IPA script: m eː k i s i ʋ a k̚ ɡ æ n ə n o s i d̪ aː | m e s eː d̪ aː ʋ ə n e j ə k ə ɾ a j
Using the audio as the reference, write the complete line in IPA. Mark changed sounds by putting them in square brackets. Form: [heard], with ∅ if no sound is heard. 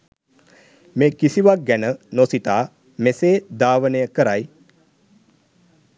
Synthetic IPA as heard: m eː k i s i ʋ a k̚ ɡ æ n ə n o s i [t̪] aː | m e s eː d̪ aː ʋ ə n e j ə k ə ɾ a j